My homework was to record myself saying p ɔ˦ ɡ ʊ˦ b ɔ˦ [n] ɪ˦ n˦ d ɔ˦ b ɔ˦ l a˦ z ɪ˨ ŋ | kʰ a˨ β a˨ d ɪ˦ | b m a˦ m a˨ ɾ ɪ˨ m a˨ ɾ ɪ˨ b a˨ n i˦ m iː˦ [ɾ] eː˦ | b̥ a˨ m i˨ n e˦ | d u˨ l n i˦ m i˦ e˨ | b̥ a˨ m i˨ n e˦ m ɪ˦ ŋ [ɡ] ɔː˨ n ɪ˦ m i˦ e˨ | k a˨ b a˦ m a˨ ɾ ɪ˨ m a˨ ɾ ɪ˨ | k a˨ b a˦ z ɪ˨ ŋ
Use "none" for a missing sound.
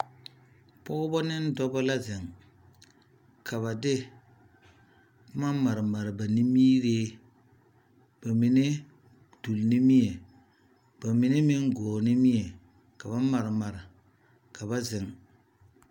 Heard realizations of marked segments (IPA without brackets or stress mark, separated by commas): n, ɾ, ɡ